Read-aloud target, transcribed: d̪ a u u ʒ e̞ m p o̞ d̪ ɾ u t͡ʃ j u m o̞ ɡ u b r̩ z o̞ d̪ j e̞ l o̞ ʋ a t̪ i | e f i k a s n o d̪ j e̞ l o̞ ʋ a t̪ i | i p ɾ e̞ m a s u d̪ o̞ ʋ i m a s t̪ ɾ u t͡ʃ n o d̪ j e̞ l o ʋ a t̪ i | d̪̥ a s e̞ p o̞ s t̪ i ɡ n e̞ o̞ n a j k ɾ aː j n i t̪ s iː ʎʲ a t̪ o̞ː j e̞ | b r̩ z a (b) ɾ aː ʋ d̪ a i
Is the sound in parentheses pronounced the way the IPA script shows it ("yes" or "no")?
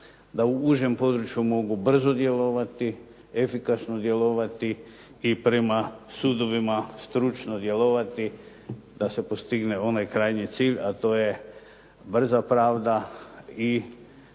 no